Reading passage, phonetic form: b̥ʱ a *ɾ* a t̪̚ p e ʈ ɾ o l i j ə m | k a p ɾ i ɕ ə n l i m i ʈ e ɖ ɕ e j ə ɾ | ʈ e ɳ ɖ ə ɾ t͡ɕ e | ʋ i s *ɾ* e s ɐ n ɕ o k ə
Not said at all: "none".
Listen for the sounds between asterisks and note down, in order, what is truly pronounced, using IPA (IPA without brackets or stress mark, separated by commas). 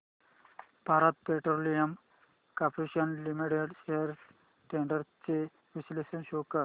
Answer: ɾ, l